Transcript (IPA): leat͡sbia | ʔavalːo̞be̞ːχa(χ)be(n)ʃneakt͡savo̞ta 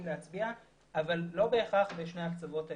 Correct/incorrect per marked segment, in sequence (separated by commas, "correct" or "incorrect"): correct, incorrect